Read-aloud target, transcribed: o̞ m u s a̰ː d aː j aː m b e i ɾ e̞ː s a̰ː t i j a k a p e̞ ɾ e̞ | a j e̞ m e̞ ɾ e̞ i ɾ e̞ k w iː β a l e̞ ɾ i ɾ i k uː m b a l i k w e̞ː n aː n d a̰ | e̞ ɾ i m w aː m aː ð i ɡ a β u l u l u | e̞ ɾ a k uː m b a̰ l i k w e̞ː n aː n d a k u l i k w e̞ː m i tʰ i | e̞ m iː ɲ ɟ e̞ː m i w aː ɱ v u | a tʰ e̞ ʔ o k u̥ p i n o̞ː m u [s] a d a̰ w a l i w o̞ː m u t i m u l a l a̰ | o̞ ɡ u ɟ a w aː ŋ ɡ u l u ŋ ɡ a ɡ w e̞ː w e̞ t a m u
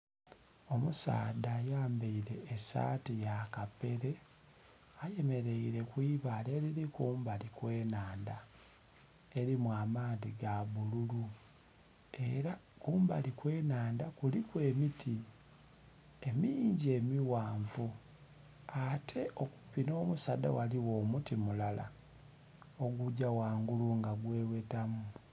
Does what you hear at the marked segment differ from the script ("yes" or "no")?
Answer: no